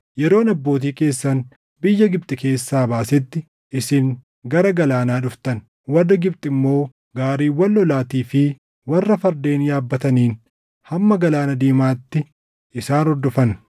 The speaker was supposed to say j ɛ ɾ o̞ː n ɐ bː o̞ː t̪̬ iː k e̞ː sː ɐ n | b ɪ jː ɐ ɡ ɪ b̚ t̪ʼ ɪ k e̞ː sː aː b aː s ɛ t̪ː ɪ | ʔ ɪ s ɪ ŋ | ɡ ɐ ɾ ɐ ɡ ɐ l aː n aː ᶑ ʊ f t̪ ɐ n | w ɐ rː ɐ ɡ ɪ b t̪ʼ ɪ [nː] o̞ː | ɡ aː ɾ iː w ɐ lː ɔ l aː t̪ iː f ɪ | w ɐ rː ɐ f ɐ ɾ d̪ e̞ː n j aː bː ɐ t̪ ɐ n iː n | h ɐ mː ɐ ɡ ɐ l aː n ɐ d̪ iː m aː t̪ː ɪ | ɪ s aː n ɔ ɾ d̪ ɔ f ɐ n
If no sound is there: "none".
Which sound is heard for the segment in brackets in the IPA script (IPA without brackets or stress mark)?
mː